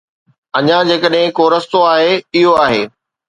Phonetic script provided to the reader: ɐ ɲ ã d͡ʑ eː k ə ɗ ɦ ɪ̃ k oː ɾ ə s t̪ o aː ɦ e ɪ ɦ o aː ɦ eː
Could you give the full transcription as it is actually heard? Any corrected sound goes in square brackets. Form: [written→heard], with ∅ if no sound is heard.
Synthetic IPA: ɐ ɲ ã d͡ʑ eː k ə ɗ ɦ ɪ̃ k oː ɾ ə s t̪ o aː ɦ e ɪ ɦ o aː ɦ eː